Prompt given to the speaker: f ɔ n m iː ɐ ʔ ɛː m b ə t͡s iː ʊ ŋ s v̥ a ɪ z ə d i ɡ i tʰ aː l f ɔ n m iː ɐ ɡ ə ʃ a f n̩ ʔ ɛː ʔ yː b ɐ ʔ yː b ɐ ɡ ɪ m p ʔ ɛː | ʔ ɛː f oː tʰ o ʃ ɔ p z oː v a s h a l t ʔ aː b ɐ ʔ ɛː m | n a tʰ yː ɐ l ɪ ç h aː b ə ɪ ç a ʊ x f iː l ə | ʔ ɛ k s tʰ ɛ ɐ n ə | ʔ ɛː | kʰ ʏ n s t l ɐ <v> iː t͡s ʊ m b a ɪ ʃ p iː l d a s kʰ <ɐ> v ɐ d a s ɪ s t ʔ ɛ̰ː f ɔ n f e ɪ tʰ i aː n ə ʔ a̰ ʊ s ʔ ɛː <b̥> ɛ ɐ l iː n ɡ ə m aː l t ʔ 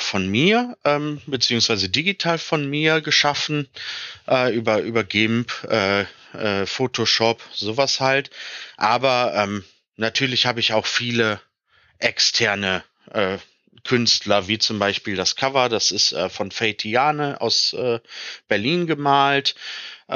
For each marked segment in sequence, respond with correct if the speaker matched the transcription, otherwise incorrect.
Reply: correct, incorrect: a, correct

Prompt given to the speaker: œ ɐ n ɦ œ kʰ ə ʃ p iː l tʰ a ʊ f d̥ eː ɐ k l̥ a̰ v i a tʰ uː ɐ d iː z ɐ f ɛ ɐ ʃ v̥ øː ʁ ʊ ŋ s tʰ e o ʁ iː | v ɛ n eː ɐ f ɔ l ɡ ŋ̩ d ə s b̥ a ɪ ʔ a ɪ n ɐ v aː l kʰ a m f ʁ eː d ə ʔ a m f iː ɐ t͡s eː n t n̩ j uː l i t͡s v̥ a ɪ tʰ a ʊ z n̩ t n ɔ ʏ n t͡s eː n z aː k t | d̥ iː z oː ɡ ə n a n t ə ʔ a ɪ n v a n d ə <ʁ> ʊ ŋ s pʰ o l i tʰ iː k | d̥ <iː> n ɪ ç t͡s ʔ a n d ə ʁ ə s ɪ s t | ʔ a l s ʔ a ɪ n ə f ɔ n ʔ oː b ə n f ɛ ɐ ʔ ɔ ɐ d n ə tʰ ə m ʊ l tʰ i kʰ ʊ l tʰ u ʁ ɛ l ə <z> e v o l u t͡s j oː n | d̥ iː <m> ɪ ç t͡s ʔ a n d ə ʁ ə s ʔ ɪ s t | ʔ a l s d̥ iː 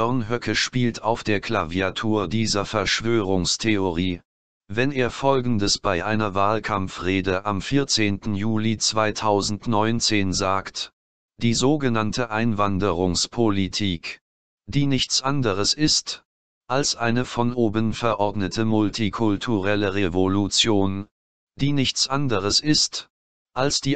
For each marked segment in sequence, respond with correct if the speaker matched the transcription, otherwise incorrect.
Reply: correct, correct, incorrect: ʁ, incorrect: n

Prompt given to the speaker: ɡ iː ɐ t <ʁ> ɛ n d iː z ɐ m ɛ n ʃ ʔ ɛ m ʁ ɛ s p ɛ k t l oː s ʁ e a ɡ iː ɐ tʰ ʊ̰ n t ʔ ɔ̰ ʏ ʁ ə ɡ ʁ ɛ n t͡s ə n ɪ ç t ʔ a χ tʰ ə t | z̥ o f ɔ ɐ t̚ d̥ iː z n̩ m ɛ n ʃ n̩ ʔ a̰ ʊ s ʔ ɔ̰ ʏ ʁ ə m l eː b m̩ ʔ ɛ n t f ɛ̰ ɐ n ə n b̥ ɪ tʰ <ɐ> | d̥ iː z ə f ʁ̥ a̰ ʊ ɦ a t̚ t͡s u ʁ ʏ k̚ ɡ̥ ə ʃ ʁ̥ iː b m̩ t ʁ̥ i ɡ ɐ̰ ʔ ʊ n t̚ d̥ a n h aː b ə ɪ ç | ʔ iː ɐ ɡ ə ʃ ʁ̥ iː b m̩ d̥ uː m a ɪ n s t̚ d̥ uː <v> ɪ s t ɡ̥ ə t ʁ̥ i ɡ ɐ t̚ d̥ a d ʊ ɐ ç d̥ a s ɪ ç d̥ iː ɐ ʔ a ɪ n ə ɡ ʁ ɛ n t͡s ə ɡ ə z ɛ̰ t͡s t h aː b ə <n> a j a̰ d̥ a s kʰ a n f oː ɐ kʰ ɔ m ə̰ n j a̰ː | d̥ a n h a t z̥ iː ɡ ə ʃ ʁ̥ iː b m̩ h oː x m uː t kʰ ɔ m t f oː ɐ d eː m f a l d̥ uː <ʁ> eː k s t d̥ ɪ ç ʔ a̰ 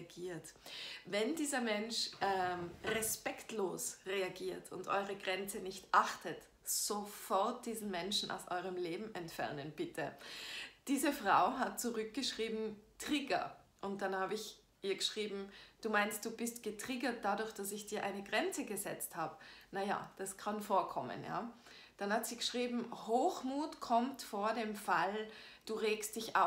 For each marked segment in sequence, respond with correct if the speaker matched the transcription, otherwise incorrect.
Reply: incorrect: v, incorrect: ə, incorrect: b, correct, correct

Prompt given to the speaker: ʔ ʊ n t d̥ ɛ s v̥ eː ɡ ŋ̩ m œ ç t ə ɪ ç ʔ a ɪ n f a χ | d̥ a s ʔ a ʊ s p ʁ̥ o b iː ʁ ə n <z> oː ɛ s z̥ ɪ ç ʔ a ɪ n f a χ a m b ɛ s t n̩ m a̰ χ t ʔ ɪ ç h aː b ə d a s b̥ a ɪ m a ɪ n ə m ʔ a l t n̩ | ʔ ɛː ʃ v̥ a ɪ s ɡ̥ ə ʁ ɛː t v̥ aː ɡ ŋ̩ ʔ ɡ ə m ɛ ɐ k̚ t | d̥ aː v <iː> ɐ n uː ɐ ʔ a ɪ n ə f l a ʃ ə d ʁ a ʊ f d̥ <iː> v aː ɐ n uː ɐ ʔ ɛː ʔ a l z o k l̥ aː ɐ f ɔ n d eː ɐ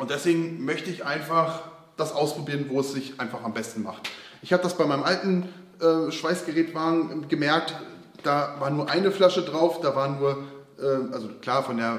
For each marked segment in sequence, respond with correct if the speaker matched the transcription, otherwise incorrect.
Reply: incorrect: v, incorrect: aː, incorrect: aː

